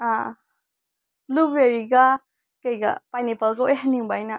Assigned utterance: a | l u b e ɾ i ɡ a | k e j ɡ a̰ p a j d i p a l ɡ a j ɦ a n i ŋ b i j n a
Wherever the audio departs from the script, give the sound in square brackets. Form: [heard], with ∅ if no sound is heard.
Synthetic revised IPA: a | l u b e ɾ i ɡ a | k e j ɡ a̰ p a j [n] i p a l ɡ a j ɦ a n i ŋ b [a] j n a